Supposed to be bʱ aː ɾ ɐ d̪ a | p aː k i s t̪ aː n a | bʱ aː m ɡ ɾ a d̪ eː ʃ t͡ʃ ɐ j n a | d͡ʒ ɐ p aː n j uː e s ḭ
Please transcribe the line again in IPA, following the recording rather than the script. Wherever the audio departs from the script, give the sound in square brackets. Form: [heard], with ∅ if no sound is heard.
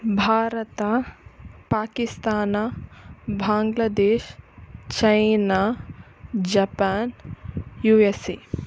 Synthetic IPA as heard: bʱ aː ɾ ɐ [t̪] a | p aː k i s t̪ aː n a | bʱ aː [ŋ] ɡ [l] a d̪ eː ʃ t͡ʃ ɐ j n a | d͡ʒ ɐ p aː n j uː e s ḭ

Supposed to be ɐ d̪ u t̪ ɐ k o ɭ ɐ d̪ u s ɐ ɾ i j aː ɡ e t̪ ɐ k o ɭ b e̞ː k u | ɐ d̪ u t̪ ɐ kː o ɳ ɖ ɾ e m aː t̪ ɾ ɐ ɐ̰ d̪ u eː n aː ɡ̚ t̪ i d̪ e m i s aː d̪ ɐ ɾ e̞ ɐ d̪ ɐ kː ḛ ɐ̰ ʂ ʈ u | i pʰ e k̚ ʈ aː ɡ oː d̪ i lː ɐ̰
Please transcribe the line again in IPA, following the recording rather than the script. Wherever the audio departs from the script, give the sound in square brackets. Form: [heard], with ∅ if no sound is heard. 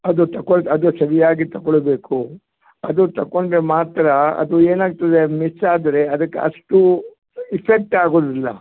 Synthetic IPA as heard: ɐ d̪ u t̪ ɐ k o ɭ ɐ d̪ u s ɐ ɾ i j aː ɡ [i] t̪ ɐ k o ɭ b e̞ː k u | ɐ d̪ u t̪ ɐ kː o ɳ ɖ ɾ e m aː t̪ ɾ ɐ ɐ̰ d̪ u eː n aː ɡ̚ t̪ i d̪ e m i s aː d̪ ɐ ɾ e̞ ɐ d̪ ɐ kː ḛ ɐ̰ ʂ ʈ u | i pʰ e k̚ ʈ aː ɡ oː d̪ i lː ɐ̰

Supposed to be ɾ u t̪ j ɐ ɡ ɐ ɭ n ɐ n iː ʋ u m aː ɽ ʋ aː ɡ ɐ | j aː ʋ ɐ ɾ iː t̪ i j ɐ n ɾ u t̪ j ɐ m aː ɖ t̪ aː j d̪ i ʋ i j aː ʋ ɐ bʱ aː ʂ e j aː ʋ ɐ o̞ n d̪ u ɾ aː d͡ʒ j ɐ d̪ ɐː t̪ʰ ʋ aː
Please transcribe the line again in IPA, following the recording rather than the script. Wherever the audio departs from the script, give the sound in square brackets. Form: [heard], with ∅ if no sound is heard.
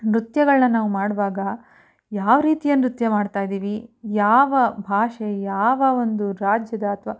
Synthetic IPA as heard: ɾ u t̪ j ɐ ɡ ɐ ɭ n ɐ n [aː] ʋ u m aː ɽ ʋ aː ɡ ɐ | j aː ʋ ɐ ɾ iː t̪ i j ɐ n ɾ u t̪ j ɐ m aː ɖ t̪ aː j d̪ [iː] ʋ i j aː ʋ ɐ bʱ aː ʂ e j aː ʋ ɐ o̞ n d̪ u ɾ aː d͡ʒ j ɐ d̪ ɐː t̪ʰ ʋ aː

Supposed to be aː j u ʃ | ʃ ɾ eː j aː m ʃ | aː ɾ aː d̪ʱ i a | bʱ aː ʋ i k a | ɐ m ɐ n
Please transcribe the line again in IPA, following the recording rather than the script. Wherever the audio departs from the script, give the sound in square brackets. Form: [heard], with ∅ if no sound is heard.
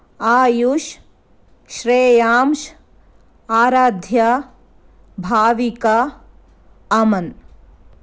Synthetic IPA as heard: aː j u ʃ | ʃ ɾ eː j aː m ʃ | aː ɾ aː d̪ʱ [j] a | bʱ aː ʋ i k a | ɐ m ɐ n

